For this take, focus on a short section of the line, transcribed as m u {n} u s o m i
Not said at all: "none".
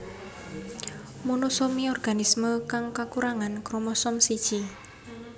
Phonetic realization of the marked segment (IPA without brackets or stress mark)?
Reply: n